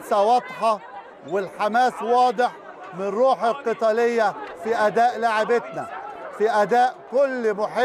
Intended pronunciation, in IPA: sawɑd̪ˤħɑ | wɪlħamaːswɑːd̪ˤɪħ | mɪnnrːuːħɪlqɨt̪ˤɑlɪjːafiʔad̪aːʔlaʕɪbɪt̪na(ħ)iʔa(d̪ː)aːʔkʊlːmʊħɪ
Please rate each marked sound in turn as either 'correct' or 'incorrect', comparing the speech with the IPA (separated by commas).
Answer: incorrect, incorrect